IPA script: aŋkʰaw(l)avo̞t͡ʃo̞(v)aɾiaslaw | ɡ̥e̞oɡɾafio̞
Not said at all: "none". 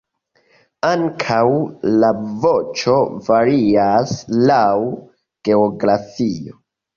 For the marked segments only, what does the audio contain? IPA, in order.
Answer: l, v

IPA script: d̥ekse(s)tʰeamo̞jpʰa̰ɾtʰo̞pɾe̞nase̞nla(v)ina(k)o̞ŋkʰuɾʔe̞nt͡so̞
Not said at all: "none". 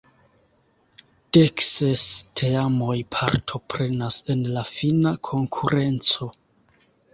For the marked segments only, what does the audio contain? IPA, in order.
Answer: s, f, kʰ

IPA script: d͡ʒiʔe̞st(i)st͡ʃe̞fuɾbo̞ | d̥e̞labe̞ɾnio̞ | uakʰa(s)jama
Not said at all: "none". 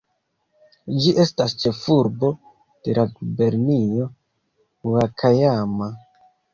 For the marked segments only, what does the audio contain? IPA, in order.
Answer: a, none

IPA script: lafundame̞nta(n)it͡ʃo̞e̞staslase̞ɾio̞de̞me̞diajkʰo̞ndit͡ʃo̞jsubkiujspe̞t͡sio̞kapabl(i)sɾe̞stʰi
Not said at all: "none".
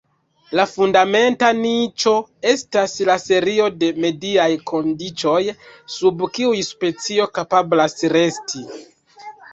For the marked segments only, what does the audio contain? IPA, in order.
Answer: n, a

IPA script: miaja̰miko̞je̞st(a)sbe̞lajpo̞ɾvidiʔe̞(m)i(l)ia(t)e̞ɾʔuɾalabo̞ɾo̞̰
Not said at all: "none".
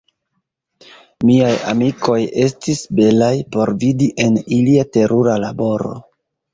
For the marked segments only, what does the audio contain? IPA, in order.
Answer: i, n, l, t

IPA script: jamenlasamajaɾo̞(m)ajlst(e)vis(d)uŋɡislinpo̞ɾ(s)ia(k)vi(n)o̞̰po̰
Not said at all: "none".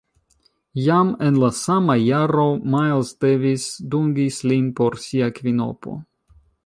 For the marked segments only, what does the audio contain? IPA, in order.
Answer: m, e, d, s, k, n

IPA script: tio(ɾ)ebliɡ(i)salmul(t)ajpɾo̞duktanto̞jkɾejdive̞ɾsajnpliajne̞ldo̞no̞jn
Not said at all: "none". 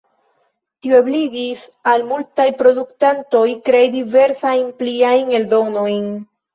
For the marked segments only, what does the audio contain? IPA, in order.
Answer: none, i, t

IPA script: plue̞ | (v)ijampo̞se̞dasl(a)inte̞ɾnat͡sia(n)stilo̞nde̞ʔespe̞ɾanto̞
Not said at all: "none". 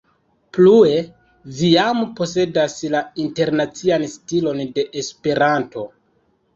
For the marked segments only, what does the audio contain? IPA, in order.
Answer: v, a, n

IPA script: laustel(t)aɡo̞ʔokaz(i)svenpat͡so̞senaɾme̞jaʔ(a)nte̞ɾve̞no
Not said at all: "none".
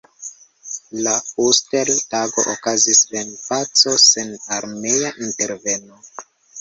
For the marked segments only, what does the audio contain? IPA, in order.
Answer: t, i, i

